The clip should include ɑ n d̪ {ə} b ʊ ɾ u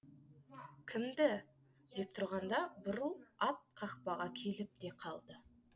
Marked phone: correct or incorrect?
incorrect